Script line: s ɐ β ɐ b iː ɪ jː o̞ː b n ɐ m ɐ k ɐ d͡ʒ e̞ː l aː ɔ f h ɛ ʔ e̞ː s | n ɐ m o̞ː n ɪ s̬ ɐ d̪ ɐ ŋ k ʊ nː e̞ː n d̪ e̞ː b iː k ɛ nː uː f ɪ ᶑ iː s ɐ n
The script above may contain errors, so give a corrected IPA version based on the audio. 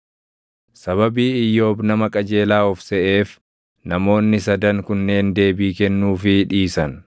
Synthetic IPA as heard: s ɐ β ɐ b iː ɪ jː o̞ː b n ɐ m ɐ kʼ ɐ d͡ʒ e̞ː l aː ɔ f s ɛ ʔ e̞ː f | n ɐ m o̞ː nː ɪ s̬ ɐ d̪ ɐ ŋ k ʊ nː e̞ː n d̪ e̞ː b iː k ɛ nː uː f ɪ ᶑ iː s ɐ n